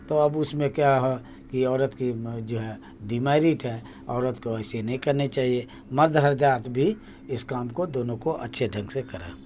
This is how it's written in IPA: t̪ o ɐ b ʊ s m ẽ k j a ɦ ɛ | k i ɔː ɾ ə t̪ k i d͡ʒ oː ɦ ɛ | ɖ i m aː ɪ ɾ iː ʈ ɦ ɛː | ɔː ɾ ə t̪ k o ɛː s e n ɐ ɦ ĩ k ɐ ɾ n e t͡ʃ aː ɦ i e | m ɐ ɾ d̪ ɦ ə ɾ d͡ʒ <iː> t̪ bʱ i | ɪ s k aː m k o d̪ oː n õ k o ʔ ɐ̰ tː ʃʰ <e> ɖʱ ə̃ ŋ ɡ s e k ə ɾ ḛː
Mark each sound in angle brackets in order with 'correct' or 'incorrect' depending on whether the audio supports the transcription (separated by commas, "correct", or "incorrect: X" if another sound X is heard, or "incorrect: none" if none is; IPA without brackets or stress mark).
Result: incorrect: aː, correct